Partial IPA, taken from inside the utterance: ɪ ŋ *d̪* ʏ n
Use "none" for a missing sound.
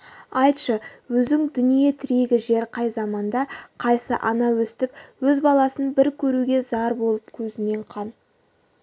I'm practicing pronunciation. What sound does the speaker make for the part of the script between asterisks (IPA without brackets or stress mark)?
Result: d̪